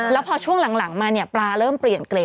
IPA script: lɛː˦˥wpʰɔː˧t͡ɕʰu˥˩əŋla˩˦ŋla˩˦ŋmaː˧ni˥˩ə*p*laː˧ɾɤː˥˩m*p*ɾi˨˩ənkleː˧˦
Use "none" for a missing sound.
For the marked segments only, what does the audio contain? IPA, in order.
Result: p, p

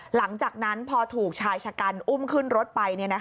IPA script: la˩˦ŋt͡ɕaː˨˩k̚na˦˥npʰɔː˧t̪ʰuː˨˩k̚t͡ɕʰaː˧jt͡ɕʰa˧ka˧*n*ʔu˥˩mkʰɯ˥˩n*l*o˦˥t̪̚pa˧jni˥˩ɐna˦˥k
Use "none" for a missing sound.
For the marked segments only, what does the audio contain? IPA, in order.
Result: n, ɾ

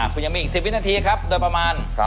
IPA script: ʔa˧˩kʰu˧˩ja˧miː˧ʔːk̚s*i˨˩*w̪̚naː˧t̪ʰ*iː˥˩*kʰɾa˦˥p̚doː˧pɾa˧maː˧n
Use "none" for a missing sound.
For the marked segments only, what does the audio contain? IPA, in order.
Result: i˨˩, iː˧

